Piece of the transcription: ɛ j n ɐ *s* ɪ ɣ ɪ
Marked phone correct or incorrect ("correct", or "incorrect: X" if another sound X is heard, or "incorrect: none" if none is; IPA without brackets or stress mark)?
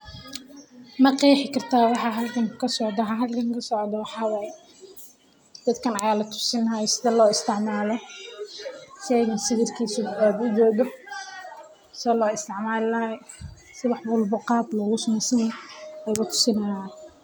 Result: correct